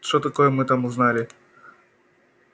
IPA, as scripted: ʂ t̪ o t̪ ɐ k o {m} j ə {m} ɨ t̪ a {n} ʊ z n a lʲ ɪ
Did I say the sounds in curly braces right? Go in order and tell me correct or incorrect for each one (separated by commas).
incorrect, correct, incorrect